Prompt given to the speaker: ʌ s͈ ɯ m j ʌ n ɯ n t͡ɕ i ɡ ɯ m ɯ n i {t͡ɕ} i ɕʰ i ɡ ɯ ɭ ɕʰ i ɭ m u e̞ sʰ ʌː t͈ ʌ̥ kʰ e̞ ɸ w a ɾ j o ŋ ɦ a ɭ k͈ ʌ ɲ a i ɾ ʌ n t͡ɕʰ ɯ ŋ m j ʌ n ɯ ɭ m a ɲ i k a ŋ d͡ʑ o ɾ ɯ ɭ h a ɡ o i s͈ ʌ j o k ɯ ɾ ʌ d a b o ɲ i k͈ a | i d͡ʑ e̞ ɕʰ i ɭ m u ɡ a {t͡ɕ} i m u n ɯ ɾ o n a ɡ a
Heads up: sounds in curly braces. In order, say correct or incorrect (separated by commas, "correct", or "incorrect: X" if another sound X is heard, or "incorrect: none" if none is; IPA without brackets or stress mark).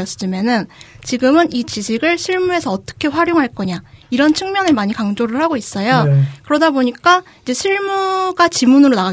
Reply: correct, correct